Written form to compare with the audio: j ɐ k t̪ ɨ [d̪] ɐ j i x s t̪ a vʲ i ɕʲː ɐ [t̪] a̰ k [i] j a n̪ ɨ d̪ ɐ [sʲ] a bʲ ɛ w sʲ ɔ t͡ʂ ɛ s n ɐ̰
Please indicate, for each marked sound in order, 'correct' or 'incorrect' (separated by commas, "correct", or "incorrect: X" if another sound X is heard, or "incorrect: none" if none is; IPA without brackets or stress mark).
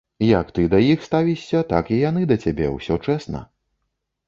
correct, correct, correct, incorrect: t͡sʲ